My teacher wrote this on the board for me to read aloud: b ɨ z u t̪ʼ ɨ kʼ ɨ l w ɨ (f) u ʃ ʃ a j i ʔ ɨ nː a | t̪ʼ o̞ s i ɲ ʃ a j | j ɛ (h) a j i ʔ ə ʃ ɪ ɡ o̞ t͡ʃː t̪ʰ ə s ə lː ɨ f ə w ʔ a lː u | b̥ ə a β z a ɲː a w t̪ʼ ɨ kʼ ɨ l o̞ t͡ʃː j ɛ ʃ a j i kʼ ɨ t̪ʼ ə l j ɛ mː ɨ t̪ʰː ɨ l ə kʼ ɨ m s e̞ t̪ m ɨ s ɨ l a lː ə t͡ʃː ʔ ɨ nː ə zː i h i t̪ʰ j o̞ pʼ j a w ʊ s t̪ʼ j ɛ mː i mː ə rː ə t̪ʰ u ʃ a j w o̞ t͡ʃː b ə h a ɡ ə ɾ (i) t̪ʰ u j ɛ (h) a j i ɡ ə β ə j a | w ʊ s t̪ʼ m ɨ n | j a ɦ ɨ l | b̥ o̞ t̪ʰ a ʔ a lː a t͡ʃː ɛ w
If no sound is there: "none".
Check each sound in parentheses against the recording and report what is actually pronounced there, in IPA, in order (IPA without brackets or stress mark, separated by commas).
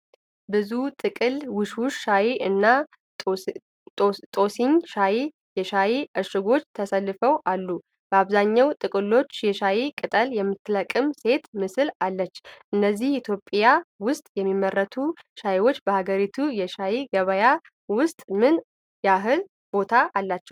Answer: ʃ, ʃ, i, ʃ